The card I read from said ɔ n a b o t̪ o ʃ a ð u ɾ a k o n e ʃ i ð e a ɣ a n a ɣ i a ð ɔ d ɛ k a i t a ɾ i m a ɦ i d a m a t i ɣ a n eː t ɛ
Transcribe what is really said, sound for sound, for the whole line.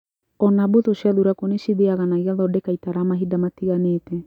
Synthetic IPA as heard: ɔ n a b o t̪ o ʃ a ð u ɾ a k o n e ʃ i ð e a ɣ a n a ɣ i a ð ɔ d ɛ k a i t a ɾ a m a ɦ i d a m a t i ɣ a n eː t ɛ